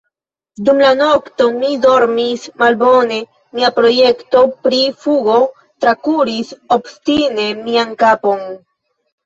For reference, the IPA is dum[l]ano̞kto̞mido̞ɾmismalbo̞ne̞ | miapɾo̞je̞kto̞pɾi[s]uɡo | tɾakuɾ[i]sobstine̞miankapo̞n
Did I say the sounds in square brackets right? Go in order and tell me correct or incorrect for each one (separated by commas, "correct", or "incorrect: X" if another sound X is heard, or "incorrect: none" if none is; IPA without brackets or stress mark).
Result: correct, incorrect: f, correct